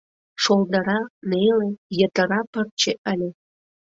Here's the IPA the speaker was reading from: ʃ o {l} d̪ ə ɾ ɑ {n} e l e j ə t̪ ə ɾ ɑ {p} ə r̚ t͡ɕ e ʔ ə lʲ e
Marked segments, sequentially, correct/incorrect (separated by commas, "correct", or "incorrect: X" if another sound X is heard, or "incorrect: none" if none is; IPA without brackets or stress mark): correct, correct, correct